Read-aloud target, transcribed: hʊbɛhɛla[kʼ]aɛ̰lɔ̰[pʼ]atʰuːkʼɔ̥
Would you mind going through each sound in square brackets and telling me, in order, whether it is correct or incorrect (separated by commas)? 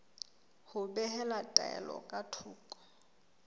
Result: incorrect, incorrect